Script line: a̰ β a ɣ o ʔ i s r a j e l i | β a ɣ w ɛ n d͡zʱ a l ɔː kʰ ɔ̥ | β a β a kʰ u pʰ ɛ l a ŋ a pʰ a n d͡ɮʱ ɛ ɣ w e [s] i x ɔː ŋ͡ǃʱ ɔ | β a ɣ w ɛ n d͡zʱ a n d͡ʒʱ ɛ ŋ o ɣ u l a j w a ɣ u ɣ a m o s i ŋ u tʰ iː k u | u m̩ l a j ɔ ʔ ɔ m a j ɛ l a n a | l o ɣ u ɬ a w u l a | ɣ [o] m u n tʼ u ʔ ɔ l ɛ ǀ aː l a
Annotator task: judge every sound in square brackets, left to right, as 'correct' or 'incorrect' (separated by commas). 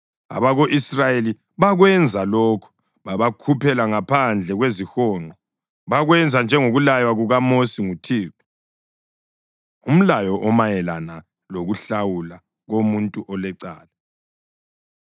incorrect, correct